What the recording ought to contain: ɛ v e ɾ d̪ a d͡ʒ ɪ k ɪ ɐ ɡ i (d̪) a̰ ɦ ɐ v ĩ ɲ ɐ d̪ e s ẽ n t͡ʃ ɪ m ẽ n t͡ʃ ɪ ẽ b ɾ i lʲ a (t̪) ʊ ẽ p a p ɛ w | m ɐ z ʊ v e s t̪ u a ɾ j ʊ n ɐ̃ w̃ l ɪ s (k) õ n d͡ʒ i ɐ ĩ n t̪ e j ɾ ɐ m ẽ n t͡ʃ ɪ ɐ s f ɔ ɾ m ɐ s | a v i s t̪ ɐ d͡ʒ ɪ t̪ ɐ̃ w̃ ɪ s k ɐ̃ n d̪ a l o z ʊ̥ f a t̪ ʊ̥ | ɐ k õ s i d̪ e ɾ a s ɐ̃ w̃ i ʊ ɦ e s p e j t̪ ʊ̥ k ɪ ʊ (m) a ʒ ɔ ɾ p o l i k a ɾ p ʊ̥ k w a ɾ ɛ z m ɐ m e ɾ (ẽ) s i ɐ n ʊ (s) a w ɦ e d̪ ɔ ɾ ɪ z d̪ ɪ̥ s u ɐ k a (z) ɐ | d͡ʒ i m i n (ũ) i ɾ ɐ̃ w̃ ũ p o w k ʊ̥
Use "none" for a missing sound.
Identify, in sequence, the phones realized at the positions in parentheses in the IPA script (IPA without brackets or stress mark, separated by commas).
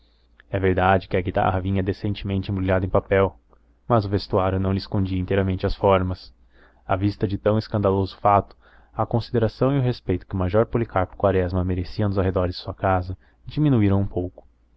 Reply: t̪, d̪, k, m, e, z, z, u